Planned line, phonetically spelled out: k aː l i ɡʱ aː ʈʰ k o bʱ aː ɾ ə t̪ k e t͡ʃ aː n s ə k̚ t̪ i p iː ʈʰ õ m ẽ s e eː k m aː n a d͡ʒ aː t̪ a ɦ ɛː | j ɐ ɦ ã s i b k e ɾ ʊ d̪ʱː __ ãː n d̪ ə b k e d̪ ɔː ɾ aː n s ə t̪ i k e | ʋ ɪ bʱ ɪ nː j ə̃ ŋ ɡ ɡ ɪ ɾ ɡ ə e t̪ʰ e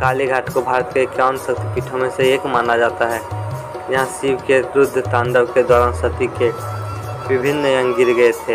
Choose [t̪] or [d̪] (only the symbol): t̪